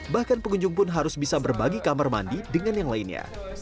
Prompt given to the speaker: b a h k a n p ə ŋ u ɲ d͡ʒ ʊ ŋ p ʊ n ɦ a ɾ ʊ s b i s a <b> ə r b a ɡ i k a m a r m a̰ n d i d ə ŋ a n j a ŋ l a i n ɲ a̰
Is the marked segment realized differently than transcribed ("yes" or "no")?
no